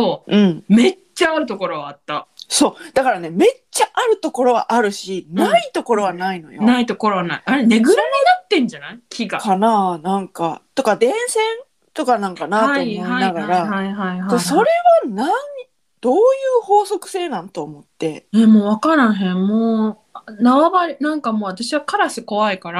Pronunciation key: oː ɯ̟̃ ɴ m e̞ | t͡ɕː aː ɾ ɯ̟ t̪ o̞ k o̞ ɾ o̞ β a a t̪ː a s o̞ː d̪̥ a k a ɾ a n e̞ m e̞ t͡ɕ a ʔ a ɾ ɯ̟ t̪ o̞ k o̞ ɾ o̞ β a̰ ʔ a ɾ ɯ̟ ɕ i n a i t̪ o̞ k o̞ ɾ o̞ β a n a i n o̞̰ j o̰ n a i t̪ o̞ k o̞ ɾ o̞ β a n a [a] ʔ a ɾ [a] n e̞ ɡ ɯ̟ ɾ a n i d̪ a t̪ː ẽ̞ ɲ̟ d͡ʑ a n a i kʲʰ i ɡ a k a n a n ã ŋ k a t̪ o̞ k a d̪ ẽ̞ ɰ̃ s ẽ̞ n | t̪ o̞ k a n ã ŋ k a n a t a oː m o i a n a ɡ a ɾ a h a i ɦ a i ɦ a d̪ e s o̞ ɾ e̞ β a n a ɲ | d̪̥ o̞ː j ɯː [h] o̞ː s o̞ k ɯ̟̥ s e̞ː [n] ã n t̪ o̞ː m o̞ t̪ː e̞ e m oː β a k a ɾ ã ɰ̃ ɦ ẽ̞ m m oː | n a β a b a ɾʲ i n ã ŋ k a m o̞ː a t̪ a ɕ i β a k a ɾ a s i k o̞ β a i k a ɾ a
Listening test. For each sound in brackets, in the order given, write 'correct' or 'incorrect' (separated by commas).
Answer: incorrect, incorrect, correct, correct